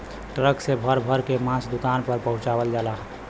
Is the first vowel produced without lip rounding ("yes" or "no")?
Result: yes